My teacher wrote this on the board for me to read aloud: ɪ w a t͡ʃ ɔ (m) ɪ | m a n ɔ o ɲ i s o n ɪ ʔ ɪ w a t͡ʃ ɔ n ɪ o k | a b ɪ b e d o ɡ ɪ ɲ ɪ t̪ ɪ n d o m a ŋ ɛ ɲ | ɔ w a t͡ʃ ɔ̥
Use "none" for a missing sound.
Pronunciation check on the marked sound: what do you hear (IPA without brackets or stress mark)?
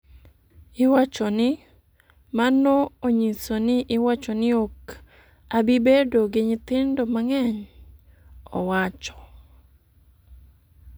n